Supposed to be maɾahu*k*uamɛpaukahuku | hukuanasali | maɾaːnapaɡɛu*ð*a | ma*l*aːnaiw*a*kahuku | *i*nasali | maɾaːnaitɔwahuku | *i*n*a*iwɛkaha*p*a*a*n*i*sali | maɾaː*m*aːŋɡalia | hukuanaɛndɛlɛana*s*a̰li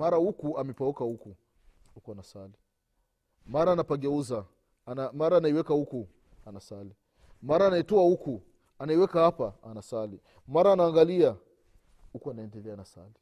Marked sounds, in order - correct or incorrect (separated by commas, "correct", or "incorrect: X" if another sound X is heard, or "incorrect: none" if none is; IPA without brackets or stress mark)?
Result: correct, incorrect: z, incorrect: ɾ, incorrect: ɛ, incorrect: a, incorrect: a, correct, correct, correct, incorrect: a, incorrect: n, correct